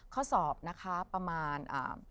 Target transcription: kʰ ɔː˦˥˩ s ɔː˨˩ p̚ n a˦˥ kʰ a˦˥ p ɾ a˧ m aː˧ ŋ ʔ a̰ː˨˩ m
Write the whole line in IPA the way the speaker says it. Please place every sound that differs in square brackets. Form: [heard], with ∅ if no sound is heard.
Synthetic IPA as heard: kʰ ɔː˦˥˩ s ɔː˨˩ p̚ n a˦˥ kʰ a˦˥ p ɾ a˧ m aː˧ [n] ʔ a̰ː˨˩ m